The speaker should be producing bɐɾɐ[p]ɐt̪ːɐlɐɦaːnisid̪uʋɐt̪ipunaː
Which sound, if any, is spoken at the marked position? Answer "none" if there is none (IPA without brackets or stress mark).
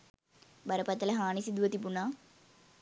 p